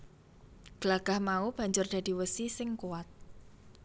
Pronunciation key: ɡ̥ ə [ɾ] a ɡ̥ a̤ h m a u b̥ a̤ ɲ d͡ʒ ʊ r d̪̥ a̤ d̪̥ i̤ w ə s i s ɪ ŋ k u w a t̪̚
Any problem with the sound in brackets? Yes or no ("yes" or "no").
yes